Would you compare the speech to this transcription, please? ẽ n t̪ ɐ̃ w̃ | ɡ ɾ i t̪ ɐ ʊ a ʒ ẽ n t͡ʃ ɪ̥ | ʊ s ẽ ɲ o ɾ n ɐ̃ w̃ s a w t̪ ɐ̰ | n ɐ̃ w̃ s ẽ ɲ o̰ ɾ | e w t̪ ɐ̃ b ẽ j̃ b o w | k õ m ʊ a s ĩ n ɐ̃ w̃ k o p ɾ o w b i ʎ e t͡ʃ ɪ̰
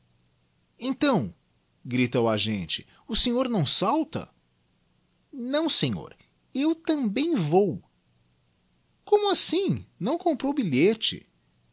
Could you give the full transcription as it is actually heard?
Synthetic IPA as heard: ẽ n t̪ ɐ̃ w̃ | ɡ ɾ i t̪ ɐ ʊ a ʒ ẽ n t͡ʃ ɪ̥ | ʊ s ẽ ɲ o ɾ n ɐ̃ w̃ s a w t̪ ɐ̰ | n ɐ̃ w̃ s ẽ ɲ o̰ ɾ | e w t̪ ɐ̃ b ẽ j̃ v o w | k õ m ʊ a s ĩ n ɐ̃ w̃ k õ p ɾ o w b i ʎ e t͡ʃ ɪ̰